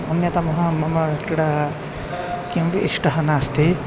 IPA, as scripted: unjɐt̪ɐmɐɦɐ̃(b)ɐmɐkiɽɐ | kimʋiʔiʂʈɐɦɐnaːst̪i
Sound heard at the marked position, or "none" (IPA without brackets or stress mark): m